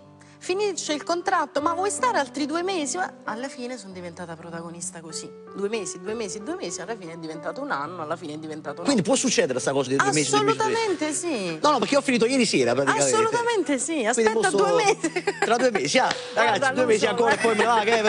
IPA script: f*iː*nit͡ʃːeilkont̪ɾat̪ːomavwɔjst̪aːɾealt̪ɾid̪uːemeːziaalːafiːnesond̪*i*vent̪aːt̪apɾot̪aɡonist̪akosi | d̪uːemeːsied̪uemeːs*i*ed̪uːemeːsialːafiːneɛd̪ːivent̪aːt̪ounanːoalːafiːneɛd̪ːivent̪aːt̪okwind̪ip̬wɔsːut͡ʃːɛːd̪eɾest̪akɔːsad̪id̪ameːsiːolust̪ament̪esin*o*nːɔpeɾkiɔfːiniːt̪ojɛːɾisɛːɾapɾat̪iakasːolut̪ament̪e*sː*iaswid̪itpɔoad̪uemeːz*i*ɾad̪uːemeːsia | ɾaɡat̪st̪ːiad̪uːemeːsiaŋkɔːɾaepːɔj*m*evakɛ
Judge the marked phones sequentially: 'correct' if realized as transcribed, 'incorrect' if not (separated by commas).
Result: incorrect, correct, correct, incorrect, incorrect, correct, correct